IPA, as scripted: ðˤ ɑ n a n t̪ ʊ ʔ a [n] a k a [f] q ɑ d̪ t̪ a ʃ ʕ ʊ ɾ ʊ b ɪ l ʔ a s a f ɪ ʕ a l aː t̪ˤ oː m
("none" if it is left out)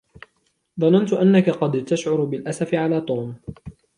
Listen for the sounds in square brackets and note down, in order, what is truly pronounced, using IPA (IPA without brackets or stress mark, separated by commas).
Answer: nː, none